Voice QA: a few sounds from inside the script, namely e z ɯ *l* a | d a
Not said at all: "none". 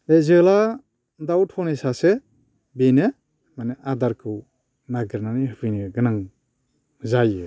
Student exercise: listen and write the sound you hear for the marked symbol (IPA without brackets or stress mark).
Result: l